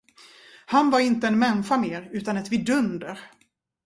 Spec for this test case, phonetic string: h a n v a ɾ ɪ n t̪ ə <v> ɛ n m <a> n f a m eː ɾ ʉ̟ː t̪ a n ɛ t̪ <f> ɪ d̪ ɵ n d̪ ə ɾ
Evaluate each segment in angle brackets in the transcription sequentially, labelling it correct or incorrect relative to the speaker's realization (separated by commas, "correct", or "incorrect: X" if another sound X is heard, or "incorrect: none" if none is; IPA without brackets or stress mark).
incorrect: none, incorrect: ɛ, incorrect: v